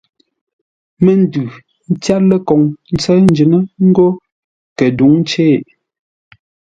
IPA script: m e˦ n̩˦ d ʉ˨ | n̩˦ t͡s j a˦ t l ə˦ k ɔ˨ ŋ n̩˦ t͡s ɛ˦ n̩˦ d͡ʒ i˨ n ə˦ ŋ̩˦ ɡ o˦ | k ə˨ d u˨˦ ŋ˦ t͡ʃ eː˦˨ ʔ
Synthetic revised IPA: m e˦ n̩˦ d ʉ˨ | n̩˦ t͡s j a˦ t l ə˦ k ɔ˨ ŋ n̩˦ t͡s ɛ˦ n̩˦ d͡ʒ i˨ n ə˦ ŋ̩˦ ɡ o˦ | k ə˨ d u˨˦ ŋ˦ t͡ʃ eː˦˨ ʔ